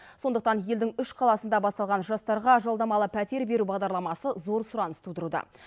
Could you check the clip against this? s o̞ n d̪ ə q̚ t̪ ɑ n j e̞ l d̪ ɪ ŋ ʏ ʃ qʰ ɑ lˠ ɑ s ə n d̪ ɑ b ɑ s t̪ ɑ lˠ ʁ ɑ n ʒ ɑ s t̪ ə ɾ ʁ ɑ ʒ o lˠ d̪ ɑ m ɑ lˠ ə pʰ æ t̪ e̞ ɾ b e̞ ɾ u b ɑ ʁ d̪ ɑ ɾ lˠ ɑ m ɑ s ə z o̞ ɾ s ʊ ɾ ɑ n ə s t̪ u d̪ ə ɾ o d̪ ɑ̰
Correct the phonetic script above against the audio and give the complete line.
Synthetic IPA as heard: s o̞ n d̪ ə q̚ t̪ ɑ n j e̞ l d̪ ɪ ŋ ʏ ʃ qʰ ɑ lˠ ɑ s ə n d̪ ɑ b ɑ s t̪ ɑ lˠ ʁ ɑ n ʒ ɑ s t̪ ɑ ɾ ʁ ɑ ʒ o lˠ d̪ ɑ m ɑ lˠ ə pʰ æ t̪ e̞ ɾ b e̞ ɾ u b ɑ ʁ d̪ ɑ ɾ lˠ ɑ m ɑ s ə z o̞ ɾ s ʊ ɾ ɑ n ə s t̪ u d̪ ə ɾ u d̪ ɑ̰